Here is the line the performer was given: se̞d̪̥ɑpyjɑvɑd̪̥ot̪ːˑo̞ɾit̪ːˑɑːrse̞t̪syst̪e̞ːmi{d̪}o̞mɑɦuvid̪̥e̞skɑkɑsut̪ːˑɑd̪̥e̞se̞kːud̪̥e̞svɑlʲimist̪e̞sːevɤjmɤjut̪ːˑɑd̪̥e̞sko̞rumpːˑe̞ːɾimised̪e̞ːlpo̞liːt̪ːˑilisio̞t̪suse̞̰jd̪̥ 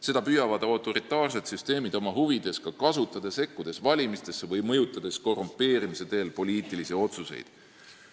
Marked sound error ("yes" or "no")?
no